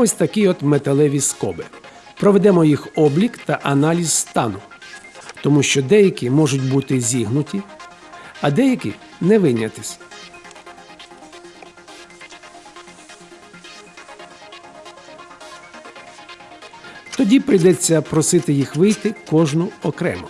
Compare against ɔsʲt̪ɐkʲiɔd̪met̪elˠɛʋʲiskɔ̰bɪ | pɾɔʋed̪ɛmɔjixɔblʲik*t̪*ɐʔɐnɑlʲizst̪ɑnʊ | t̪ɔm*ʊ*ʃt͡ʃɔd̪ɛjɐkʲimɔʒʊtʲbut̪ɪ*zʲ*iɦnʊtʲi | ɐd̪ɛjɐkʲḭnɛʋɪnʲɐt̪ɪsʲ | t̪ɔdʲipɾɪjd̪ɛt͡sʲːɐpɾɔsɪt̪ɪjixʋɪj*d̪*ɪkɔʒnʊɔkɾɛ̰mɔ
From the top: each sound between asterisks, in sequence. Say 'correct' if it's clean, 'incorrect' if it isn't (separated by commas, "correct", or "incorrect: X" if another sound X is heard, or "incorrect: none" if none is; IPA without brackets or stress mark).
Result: correct, incorrect: u, correct, incorrect: t̪